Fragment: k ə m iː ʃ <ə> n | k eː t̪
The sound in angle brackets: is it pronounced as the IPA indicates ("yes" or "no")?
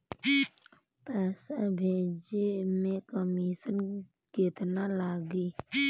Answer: yes